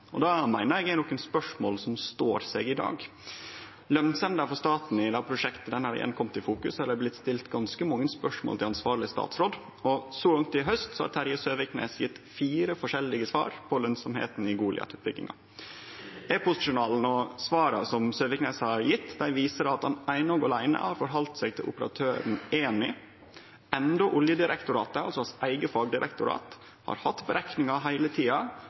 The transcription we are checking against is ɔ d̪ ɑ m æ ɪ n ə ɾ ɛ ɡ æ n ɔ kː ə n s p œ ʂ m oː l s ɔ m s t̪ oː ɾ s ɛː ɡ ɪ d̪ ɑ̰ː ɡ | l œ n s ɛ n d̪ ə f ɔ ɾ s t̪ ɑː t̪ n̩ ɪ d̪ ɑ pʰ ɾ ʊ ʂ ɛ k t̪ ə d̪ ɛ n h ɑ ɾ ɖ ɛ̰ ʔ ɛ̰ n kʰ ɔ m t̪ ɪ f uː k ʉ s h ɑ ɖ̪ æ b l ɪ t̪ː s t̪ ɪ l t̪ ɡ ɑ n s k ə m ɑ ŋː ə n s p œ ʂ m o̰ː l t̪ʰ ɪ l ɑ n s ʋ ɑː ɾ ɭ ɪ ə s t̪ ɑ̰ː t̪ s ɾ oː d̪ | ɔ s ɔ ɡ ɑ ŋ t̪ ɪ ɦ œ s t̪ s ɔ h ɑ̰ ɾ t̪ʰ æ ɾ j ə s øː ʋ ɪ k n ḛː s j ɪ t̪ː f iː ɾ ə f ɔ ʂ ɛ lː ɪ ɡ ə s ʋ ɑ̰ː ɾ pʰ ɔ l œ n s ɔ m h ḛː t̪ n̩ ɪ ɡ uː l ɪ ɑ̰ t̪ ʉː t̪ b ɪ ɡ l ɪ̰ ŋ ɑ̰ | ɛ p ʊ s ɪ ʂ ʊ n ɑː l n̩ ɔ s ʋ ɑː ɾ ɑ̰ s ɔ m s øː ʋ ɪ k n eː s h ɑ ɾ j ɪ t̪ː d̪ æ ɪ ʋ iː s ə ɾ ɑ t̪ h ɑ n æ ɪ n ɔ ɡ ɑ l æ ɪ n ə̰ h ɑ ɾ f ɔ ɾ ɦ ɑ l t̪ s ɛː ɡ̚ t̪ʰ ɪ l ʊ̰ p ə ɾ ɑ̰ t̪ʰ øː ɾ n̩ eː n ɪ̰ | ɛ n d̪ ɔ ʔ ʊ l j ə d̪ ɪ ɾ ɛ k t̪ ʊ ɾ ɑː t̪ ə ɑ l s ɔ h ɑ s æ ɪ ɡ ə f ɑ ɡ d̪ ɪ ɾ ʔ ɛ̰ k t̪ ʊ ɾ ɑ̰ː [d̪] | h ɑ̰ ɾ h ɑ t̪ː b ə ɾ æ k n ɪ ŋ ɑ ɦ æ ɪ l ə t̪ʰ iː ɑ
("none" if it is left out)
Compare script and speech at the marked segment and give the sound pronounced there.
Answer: t̪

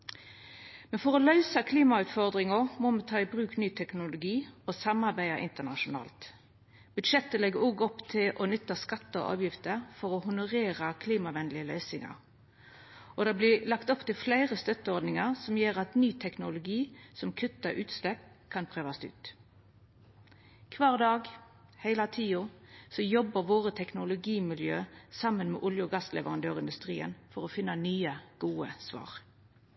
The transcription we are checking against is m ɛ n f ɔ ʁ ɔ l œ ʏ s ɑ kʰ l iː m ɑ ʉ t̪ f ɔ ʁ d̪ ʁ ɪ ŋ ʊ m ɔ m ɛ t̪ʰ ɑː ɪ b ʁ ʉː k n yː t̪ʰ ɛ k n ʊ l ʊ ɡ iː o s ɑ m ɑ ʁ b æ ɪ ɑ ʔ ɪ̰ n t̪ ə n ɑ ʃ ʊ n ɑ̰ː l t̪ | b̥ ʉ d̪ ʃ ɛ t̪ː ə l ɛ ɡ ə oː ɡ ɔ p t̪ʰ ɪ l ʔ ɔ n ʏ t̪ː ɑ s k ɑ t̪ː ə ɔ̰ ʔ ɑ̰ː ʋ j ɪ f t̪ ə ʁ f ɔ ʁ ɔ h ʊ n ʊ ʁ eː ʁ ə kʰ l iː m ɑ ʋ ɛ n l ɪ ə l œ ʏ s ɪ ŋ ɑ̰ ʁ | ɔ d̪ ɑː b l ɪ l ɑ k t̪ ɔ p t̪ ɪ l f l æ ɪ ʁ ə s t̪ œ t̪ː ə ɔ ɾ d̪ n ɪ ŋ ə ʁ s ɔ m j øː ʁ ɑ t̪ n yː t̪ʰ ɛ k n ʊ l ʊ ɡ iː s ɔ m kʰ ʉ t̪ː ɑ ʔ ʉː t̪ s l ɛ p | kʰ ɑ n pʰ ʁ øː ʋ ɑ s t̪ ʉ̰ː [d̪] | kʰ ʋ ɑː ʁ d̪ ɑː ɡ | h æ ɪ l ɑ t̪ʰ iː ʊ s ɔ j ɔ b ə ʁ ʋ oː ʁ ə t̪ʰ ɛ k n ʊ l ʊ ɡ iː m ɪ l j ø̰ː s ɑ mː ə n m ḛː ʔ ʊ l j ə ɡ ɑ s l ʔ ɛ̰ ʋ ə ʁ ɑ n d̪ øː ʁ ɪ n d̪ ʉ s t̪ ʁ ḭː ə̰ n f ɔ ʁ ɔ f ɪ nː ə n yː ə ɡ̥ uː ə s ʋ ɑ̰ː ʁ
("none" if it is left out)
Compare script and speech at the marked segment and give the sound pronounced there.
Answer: t̪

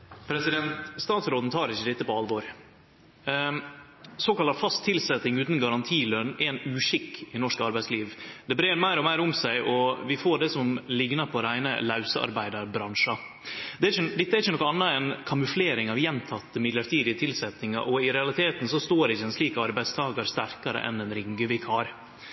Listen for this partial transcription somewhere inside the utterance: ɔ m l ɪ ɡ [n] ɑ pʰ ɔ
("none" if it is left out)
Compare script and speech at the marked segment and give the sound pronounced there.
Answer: n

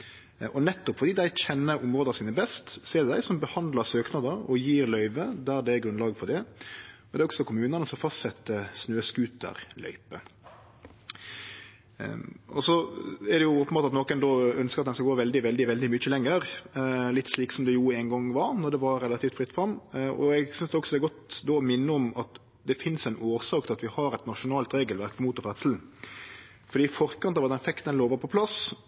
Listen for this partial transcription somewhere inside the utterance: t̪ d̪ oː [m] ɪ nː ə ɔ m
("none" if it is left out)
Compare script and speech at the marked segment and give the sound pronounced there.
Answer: m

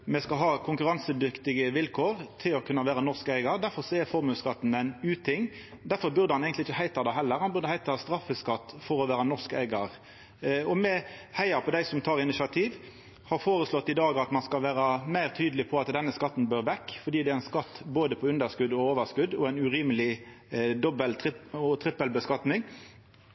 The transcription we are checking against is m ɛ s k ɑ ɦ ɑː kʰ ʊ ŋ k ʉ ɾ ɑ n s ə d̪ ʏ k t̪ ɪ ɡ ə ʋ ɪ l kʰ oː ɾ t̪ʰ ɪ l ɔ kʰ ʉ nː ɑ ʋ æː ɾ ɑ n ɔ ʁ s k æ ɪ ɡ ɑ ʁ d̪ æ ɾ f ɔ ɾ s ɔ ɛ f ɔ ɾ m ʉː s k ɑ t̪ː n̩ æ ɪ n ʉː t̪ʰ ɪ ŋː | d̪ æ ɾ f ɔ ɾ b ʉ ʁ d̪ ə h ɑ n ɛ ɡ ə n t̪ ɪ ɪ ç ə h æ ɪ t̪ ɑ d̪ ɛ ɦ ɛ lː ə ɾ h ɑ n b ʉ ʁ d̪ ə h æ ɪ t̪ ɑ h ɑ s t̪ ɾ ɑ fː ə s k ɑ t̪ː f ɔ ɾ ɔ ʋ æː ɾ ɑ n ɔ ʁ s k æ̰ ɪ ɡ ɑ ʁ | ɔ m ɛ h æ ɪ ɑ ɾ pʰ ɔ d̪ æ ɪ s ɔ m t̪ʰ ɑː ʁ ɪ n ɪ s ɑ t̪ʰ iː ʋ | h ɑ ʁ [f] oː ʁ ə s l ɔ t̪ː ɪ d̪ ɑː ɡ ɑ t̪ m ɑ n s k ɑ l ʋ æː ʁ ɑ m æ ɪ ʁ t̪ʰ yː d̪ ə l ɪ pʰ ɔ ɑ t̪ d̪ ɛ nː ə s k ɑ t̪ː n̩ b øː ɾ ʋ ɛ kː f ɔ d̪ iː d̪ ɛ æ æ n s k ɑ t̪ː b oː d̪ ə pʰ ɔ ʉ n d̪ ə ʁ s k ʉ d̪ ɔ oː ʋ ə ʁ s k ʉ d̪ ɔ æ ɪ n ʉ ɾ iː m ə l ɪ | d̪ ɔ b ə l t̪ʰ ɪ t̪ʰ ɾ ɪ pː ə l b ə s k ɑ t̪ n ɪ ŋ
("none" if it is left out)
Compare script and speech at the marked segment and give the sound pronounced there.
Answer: f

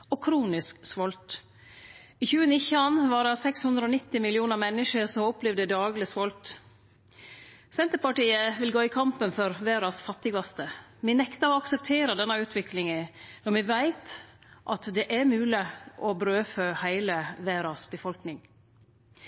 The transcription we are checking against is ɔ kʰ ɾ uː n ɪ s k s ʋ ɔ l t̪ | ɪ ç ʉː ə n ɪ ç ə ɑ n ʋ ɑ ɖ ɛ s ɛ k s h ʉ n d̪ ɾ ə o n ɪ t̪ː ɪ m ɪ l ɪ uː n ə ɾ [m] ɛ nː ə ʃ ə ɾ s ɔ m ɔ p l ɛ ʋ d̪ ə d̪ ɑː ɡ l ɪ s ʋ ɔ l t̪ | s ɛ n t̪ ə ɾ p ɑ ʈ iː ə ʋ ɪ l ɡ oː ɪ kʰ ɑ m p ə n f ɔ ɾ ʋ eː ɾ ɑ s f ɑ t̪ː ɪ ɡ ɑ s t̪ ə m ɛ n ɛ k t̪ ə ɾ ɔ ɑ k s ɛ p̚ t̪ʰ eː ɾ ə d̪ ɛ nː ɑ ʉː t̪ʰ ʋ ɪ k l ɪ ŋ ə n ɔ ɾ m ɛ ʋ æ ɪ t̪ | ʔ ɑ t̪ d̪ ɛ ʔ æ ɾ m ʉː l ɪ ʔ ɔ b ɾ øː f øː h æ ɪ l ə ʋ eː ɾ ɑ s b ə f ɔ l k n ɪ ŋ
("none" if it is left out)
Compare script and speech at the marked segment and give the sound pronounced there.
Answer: m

